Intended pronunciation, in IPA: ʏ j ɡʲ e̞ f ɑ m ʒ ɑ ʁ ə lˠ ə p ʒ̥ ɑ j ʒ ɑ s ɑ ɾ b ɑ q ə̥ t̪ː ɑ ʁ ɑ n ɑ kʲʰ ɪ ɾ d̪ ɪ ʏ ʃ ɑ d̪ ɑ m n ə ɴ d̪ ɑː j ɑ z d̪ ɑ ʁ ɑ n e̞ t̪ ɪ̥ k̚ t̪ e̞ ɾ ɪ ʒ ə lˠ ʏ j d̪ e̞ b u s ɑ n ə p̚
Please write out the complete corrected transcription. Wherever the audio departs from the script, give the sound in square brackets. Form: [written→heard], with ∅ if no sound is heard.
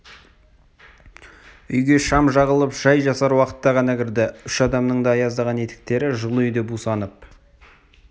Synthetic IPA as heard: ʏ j ɡʲ e̞ [f→ʃ] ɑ m ʒ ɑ ʁ ə lˠ ə p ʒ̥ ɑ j ʒ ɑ s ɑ ɾ [b→w] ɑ q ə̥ t̪ː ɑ ʁ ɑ n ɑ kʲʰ ɪ ɾ d̪ ɪ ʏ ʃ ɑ d̪ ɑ m n ə ɴ d̪ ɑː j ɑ z d̪ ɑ ʁ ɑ n e̞ t̪ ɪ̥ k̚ t̪ e̞ ɾ ɪ ʒ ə lˠ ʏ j d̪ e̞ b u s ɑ n ə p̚